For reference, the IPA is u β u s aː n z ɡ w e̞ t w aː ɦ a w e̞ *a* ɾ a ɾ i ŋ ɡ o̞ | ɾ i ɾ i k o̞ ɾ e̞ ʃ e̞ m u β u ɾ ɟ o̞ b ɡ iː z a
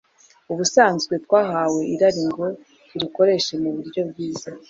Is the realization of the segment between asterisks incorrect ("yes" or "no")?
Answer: yes